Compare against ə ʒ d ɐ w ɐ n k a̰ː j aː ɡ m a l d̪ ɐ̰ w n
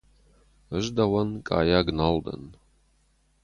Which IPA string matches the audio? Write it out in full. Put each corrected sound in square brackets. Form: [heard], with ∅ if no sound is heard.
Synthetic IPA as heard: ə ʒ d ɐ w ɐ n [kʼ] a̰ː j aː ɡ [n] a l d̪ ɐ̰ [∅] n